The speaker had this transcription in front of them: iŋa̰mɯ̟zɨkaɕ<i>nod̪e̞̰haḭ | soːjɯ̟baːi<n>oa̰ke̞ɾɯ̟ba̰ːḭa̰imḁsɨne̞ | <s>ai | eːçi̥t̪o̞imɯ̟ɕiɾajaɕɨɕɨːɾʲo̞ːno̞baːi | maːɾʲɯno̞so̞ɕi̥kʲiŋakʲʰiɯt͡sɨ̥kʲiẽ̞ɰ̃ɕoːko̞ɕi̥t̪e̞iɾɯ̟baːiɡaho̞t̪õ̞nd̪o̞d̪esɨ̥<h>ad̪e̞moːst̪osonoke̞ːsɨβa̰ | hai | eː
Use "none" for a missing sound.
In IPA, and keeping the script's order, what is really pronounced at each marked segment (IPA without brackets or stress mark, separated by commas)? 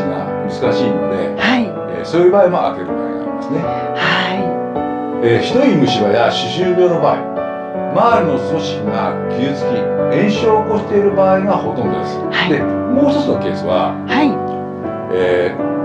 iː, m, h, h